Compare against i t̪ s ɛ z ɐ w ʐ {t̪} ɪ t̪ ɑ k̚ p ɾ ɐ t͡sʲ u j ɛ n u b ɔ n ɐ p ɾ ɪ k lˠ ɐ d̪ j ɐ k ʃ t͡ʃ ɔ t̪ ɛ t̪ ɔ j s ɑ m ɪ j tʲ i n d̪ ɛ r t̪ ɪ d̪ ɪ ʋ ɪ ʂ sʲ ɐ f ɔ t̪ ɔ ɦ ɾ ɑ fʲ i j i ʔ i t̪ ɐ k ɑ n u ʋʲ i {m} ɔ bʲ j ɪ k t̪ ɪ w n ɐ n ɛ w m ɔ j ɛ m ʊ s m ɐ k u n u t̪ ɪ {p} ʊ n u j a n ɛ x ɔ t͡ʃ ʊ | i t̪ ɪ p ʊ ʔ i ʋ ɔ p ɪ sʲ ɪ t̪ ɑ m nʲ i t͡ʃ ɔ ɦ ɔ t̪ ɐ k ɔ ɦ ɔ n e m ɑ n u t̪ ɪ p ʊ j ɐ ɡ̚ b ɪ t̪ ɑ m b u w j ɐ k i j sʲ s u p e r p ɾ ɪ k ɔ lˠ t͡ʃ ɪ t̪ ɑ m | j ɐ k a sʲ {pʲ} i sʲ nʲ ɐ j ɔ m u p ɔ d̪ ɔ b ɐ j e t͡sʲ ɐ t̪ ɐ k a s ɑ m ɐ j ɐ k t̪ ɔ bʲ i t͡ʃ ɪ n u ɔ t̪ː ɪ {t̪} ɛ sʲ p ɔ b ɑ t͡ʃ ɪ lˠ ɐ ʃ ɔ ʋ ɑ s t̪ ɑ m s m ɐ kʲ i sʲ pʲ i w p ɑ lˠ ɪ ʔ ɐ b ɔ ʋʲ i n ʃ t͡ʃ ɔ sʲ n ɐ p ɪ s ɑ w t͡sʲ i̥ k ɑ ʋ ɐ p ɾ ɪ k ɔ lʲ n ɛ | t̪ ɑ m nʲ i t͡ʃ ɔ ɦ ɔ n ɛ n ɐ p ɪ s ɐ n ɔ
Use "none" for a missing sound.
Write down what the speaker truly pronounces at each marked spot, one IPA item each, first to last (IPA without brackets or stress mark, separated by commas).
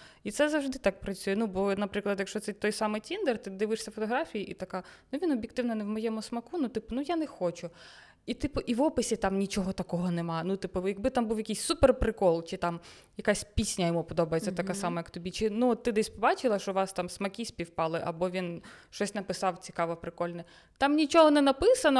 d̪, n, p, pʲ, d̪